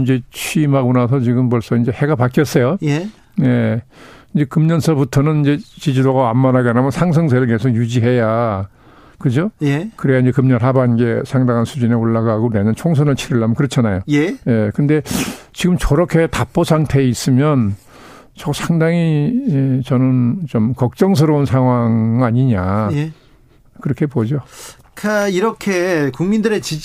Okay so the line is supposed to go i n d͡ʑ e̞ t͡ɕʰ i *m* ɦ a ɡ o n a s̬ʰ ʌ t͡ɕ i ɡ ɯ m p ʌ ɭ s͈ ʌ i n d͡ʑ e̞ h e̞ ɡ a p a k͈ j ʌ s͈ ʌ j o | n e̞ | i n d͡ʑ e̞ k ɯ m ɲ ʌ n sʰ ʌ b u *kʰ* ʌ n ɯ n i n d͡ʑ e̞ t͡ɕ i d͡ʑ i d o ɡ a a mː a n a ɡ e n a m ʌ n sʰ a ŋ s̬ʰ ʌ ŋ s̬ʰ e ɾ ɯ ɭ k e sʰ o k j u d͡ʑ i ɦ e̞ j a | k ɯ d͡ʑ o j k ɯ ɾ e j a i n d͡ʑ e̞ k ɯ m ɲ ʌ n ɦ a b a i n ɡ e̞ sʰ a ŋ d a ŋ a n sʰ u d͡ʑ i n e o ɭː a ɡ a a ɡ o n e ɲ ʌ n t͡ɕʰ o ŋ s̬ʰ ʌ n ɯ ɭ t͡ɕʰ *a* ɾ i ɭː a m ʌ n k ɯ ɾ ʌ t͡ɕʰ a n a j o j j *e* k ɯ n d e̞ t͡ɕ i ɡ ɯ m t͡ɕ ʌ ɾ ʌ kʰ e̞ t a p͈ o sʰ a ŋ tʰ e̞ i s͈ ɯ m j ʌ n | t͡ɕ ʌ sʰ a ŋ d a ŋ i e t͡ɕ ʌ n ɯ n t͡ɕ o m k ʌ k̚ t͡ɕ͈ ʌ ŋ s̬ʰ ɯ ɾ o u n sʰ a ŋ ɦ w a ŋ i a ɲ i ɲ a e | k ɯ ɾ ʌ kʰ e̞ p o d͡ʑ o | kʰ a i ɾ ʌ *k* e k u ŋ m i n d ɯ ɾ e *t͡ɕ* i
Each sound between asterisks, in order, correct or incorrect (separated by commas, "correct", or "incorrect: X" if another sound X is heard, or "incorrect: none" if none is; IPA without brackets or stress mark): correct, incorrect: tʰ, incorrect: i, correct, incorrect: kʰ, correct